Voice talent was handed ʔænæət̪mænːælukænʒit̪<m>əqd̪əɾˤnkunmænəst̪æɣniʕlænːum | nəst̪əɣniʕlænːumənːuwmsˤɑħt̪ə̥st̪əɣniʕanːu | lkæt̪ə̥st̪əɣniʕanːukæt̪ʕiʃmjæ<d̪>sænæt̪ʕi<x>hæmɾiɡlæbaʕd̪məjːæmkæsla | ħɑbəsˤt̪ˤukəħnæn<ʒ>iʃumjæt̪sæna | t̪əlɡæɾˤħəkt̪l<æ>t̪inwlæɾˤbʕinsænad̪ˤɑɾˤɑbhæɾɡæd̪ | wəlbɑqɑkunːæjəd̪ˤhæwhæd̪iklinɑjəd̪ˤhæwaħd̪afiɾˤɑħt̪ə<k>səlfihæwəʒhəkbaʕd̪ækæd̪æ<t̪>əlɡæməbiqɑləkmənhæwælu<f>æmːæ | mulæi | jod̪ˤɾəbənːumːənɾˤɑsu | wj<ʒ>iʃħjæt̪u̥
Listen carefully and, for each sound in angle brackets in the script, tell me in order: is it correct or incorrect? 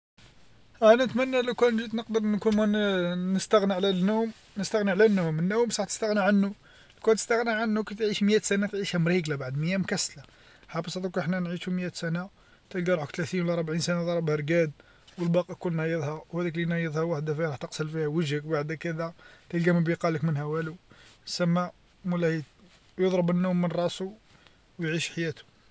incorrect, incorrect, incorrect, incorrect, correct, incorrect, correct, incorrect, incorrect

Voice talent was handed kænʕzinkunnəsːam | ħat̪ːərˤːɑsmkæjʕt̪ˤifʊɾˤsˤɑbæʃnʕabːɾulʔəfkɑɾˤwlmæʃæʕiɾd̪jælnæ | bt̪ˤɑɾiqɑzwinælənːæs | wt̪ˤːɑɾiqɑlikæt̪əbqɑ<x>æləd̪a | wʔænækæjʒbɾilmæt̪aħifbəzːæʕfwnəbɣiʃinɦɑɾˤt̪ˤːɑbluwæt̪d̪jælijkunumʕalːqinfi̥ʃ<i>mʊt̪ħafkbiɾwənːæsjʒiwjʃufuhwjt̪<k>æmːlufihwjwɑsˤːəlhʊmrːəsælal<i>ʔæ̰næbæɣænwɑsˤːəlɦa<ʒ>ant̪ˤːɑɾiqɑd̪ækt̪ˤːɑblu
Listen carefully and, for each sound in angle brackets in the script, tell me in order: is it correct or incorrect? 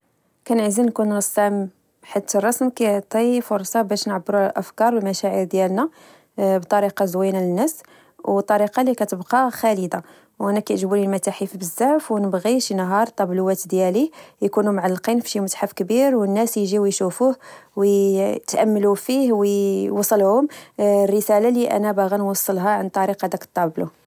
correct, correct, incorrect, correct, incorrect

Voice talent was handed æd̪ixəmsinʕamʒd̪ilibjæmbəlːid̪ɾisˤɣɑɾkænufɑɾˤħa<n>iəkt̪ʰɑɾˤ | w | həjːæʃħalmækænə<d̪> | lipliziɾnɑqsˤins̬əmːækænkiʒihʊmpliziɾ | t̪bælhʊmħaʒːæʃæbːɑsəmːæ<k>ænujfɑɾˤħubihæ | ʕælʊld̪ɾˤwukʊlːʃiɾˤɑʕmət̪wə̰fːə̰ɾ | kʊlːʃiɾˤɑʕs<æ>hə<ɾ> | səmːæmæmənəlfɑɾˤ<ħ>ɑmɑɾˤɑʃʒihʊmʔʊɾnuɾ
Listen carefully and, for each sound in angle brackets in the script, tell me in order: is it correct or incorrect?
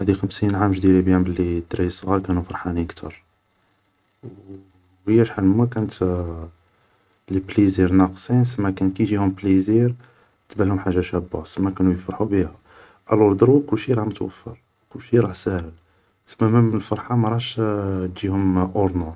correct, incorrect, correct, correct, incorrect, correct

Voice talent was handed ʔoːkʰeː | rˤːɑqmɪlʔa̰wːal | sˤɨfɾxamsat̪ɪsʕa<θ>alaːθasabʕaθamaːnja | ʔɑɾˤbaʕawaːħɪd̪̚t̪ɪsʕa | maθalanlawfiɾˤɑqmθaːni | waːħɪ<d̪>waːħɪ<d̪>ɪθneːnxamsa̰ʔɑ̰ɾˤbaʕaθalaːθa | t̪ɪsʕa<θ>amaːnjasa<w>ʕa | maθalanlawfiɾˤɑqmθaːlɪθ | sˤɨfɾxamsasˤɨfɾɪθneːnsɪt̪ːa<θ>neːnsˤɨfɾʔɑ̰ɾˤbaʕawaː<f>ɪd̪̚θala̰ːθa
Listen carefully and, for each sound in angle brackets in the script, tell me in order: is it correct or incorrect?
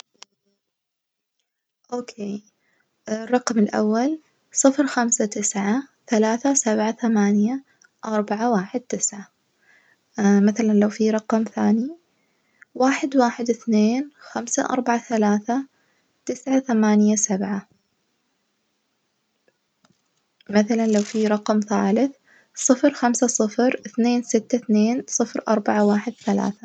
correct, correct, correct, correct, incorrect, correct, incorrect

